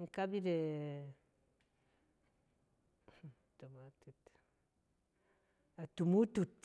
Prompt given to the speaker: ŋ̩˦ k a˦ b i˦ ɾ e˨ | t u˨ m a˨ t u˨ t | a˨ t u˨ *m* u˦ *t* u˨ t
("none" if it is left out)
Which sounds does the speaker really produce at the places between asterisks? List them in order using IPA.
m, t

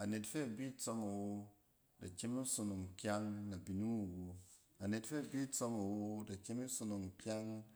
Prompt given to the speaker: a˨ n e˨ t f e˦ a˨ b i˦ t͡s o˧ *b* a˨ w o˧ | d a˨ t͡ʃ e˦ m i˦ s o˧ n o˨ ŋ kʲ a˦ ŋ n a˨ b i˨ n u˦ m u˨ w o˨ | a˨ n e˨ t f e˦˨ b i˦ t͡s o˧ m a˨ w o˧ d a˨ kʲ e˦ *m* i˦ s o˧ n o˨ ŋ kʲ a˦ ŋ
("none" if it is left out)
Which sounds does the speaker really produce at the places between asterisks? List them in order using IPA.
m, m

